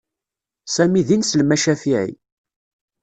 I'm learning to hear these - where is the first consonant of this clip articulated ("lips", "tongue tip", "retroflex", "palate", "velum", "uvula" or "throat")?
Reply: tongue tip